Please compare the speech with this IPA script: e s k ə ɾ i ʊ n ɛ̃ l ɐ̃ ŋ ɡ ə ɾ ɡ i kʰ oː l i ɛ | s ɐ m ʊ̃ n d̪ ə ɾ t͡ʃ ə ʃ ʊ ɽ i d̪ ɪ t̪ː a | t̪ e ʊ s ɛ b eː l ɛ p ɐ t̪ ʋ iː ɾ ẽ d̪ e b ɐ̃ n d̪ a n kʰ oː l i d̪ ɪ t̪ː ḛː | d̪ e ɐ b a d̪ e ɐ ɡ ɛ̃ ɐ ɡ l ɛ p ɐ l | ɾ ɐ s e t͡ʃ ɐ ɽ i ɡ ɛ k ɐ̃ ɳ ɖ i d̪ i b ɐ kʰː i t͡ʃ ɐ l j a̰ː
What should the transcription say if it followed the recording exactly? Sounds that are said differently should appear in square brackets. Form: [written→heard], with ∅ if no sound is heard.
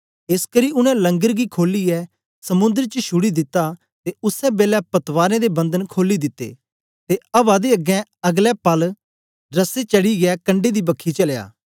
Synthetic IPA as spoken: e s k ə ɾ i ʊ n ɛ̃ l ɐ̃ ŋ ɡ ə ɾ ɡ i kʰ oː l i ɛ | s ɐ m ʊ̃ n d̪ ə ɾ t͡ʃ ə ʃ ʊ ɽ i d̪ ɪ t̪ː a | t̪ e ʊ s ɛ b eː l ɛ p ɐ t̪ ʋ [iː→aː] ɾ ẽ d̪ e b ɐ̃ n d̪ [a→ə] n kʰ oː l i d̪ ɪ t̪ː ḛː | [d̪→t̪] e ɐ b a d̪ e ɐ ɡ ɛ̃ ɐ ɡ l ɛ p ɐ l | ɾ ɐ s e t͡ʃ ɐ ɽ i ɡ ɛ k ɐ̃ ɳ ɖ [i→e] d̪ i b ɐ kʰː i t͡ʃ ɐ l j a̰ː